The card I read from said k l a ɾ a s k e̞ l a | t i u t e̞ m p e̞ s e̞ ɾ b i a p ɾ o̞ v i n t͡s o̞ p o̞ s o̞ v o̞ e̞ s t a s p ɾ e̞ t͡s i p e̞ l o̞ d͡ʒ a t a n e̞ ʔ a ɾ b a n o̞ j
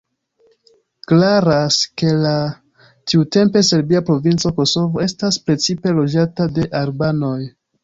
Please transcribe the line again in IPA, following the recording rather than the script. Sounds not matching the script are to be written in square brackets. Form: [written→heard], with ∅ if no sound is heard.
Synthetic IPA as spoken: k l a ɾ a s k e̞ l a | t i u t e̞ m p e̞ s e̞ ɾ b i a p ɾ o̞ v i n t͡s o̞ [p→k] o̞ s o̞ v o̞ e̞ s t a s p ɾ e̞ t͡s i p e̞ l o̞ d͡ʒ a t a [n→d] e̞ ʔ a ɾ b a n o̞ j